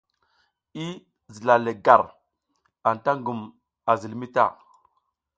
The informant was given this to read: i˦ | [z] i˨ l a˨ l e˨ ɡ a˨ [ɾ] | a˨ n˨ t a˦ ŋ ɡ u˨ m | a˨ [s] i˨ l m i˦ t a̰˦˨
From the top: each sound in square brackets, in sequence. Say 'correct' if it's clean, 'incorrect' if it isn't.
correct, correct, incorrect: z

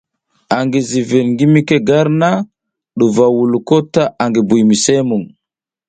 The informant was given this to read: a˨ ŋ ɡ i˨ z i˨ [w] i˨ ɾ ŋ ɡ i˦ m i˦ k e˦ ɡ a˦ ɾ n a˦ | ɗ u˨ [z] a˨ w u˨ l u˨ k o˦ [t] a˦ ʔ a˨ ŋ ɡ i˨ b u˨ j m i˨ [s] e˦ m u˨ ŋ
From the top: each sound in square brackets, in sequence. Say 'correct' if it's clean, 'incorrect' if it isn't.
incorrect: v, incorrect: v, correct, correct

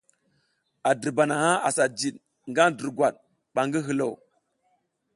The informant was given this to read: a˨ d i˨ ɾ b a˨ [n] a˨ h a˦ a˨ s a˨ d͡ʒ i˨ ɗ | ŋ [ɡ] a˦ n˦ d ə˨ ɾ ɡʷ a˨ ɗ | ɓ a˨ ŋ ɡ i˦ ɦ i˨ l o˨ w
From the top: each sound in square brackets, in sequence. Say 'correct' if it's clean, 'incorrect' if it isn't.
correct, correct

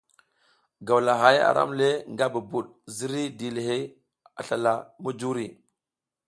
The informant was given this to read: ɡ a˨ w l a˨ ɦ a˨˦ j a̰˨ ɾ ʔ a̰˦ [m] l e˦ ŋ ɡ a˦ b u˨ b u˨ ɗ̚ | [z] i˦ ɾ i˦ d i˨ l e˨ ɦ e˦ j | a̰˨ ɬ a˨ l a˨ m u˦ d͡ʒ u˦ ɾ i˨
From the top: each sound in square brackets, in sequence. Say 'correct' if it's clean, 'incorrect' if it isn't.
correct, correct

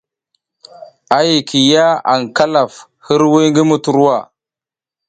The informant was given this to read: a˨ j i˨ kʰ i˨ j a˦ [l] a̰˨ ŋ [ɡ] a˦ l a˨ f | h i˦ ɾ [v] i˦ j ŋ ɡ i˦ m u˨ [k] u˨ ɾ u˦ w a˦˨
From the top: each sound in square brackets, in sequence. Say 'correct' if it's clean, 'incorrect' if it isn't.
incorrect: none, incorrect: k, incorrect: w, incorrect: t

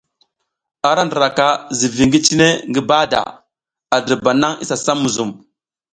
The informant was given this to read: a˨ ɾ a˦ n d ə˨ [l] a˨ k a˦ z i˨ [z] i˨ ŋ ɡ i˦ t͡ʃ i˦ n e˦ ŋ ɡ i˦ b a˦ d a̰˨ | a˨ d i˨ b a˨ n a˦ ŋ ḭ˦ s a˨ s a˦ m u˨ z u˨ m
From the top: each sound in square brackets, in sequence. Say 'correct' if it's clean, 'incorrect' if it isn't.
incorrect: ɾ, incorrect: v

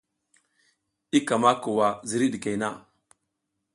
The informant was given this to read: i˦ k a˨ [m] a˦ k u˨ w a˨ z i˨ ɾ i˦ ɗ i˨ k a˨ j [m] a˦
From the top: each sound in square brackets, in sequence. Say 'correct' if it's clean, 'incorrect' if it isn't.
correct, incorrect: n

